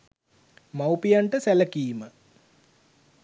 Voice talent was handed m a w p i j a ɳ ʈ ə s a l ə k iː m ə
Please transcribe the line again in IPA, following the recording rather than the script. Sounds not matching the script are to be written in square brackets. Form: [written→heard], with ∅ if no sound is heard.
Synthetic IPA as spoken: m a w p i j a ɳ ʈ ə s [a→æ] l ə k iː m ə

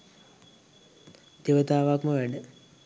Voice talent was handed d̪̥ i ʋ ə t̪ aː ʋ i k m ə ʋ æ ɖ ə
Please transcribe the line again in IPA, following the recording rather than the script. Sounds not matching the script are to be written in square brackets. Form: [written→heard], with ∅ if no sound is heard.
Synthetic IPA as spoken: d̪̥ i ʋ ə t̪ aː ʋ [i→a] k m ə ʋ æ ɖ ə

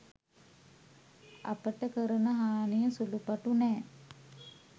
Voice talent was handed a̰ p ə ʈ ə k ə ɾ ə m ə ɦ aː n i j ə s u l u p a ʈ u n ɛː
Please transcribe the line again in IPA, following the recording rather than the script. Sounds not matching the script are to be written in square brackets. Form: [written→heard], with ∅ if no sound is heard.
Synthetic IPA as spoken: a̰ p ə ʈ ə k ə ɾ ə [m→n] ə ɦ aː n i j ə s u l u p a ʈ u n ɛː

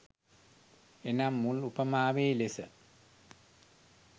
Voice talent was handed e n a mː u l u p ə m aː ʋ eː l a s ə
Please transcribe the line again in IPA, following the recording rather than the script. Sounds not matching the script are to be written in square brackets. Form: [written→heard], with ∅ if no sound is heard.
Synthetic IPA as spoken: e n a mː u l u p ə m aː ʋ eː l [a→e] s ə

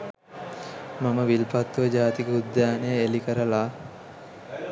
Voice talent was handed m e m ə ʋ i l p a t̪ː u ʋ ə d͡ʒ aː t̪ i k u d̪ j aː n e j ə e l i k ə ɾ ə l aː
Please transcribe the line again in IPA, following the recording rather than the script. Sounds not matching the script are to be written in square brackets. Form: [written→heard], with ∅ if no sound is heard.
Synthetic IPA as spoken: m [e→a] m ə ʋ i l p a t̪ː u ʋ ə d͡ʒ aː t̪ i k u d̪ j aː n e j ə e l i k ə ɾ ə l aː

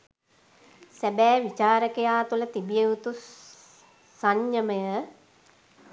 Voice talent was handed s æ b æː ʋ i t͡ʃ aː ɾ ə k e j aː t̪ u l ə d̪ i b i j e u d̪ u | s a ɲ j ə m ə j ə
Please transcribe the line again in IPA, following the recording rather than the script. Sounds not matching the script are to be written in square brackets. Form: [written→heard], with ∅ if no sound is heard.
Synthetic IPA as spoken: s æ b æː ʋ i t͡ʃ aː ɾ ə k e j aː t̪ u l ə [d̪→t̪] i b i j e u [d̪→t̪] u | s a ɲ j ə m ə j ə

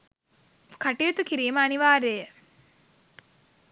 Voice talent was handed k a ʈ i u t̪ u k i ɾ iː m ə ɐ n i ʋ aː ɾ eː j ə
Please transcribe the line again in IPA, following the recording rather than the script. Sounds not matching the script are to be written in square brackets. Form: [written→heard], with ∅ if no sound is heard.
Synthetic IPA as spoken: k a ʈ i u t̪ u k i ɾ iː m ə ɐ n i ʋ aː ɾ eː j ə

